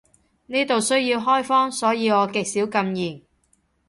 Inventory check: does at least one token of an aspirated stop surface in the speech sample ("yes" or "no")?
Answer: no